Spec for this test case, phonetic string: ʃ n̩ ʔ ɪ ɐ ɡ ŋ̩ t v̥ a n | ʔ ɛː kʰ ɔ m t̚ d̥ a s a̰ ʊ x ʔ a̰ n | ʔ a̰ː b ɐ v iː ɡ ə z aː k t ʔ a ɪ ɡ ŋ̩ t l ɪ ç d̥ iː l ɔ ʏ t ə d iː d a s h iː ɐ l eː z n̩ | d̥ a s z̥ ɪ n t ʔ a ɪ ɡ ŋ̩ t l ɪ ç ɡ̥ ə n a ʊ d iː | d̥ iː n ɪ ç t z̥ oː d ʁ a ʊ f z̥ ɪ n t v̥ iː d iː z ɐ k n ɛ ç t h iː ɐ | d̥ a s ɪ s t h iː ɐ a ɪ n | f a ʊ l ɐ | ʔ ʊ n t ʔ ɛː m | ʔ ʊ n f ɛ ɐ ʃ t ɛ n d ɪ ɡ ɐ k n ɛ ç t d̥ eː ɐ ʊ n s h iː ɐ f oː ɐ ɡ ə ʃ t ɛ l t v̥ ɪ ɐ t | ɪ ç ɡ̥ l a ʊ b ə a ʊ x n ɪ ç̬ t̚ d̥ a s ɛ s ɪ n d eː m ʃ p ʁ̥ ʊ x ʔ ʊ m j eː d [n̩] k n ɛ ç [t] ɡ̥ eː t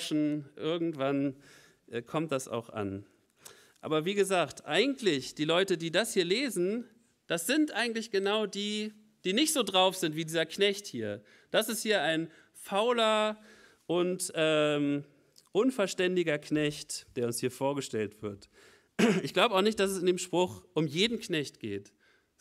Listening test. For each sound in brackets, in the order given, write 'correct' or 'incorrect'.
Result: correct, correct

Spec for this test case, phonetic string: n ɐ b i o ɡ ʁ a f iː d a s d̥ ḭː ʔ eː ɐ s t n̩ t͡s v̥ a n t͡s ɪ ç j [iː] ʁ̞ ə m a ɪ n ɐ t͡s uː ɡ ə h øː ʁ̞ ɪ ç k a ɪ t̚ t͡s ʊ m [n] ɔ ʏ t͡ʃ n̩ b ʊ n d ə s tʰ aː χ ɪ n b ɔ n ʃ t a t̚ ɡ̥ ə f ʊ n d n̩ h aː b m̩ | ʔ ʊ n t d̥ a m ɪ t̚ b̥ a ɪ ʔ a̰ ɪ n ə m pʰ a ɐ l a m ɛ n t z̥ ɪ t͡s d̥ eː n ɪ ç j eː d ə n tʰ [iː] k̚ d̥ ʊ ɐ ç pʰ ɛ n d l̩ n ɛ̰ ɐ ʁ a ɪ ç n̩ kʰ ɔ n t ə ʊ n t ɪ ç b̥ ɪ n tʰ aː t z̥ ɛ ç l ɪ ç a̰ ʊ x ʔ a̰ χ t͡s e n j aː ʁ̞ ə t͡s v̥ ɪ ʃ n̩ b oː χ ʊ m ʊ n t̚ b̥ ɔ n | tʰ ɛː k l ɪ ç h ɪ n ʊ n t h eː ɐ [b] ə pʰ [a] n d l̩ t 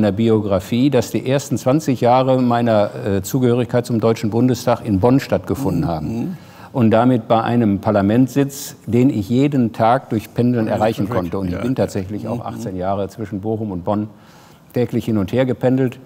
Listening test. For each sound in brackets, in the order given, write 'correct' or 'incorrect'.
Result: incorrect, incorrect, incorrect, incorrect, incorrect

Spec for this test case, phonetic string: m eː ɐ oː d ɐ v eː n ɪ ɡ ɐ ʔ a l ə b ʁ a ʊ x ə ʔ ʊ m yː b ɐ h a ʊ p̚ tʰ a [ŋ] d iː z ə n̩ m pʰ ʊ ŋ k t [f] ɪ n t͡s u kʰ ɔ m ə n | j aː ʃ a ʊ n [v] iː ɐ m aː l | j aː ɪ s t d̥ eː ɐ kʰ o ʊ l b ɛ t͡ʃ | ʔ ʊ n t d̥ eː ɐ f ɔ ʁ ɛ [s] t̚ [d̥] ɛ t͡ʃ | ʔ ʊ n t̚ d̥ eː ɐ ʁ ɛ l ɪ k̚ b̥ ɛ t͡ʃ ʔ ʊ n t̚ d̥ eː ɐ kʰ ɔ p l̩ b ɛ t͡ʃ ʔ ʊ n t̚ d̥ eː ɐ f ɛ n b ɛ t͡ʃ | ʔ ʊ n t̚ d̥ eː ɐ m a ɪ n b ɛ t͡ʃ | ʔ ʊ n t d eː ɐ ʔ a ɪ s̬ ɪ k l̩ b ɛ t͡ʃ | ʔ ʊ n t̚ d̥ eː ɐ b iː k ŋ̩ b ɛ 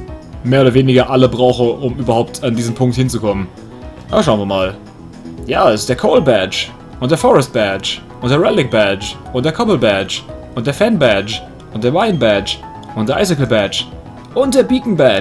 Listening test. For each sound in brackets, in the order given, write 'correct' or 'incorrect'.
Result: incorrect, incorrect, correct, correct, incorrect

